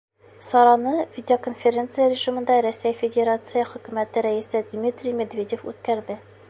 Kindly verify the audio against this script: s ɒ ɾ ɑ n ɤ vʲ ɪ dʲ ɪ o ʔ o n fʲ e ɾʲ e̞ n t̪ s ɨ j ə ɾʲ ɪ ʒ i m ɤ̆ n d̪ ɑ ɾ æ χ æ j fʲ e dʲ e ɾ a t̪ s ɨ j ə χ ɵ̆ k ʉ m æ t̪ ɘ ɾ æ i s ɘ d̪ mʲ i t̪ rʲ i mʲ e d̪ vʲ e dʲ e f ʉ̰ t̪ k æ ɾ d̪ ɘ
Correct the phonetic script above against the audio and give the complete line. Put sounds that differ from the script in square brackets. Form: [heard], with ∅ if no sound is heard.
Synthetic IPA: s ɒ ɾ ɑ n ɤ vʲ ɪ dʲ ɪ o [k] o n fʲ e ɾʲ e̞ n t̪ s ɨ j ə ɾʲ ɪ ʒ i m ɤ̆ n d̪ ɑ ɾ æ [s] æ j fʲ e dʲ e ɾ a t̪ s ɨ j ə χ ɵ̆ k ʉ m æ t̪ ɘ ɾ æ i s ɘ d̪ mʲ i t̪ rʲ i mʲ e d̪ vʲ e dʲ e f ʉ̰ t̪ k æ ɾ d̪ ɘ